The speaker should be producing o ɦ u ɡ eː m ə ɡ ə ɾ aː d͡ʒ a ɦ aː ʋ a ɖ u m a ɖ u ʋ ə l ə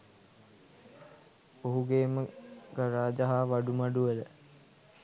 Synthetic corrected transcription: o ɦ u ɡ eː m ə ɡ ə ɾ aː d͡ʒ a ɦ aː ʋ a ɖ u m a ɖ u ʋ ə l ə